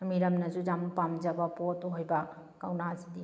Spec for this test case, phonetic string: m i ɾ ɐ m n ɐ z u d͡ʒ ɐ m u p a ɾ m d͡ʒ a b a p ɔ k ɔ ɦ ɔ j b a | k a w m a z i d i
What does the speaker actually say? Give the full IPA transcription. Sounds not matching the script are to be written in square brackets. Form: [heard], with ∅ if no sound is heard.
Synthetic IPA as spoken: m i ɾ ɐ m n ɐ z u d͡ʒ [a] m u p a [∅] m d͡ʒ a b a p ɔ [t] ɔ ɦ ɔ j b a | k a w [n] a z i d i